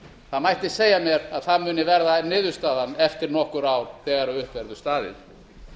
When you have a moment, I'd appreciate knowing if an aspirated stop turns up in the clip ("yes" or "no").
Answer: no